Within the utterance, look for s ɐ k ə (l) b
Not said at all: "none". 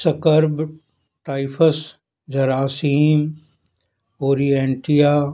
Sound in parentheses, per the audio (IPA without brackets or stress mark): ɾ